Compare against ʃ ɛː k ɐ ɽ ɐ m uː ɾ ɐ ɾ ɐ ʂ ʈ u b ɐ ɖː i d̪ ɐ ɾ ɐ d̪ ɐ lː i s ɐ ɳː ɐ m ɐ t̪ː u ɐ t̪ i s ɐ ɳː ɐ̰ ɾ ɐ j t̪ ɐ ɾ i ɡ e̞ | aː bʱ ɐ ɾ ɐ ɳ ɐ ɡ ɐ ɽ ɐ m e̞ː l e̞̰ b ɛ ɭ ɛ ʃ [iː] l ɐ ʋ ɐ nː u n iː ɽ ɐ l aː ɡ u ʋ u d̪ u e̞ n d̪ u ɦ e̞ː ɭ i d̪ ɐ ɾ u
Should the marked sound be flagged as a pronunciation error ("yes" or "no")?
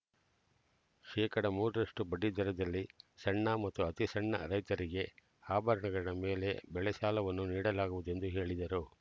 yes